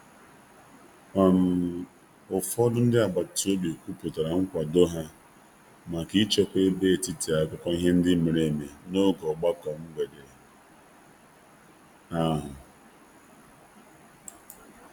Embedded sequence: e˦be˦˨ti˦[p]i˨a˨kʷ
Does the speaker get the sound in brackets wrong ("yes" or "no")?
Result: yes